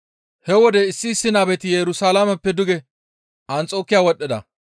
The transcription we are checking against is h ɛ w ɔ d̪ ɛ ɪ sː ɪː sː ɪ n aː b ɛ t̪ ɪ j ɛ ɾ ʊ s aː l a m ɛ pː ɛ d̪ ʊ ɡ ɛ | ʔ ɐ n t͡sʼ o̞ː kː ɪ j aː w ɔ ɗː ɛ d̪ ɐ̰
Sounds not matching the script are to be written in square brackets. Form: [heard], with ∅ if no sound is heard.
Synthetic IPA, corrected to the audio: h ɛ w ɔ d̪ ɛ ɪ sː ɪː sː ɪ n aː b ɛ t̪ ɪ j ɛ ɾ ʊ s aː l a m ɛ pː ɛ d̪ ʊ ɡ ɛ | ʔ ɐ n t͡sʼ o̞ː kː ɪ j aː w ɔ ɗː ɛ d̪ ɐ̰